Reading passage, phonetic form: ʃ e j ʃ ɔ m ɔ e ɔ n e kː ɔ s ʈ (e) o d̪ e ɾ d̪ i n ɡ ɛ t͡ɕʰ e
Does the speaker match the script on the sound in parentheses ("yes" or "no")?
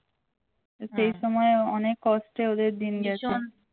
yes